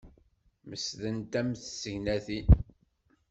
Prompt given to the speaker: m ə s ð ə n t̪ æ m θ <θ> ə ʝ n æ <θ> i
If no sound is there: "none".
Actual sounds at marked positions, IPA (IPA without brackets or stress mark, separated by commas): s, θ